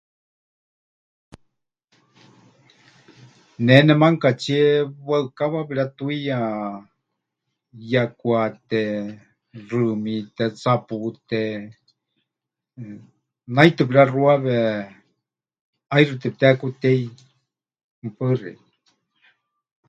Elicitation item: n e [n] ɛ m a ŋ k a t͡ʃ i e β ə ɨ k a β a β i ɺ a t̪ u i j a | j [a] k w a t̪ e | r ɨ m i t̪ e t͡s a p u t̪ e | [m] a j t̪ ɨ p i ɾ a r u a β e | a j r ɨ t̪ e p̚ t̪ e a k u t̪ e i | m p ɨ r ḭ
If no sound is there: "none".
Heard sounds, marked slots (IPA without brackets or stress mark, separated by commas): n, a, n